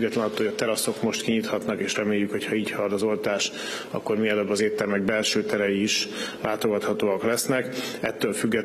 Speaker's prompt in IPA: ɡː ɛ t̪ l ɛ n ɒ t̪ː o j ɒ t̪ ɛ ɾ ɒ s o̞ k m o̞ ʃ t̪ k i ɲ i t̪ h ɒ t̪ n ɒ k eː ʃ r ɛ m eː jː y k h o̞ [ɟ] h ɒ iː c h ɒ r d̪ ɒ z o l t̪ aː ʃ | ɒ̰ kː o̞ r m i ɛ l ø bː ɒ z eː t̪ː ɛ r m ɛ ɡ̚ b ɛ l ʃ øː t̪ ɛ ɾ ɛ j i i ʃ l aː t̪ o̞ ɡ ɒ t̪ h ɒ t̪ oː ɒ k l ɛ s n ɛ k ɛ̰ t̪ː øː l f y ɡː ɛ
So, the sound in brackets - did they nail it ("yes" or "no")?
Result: no